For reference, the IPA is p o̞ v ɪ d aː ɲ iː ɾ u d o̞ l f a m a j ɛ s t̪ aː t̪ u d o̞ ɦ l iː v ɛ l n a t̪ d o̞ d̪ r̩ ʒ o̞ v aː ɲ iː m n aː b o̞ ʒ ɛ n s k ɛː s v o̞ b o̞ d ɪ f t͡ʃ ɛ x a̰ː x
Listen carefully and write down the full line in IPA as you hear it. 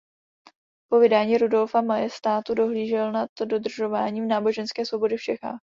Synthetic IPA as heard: p o̞ v ɪ d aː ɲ iː ɾ u d o̞ l f a m a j ɛ s t̪ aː t̪ u d o̞ ɦ l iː ʒ ɛ l n a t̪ d o̞ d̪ r̩ ʒ o̞ v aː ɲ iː m n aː b o̞ ʒ ɛ n s k ɛː s v o̞ b o̞ d ɪ f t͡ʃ ɛ x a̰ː x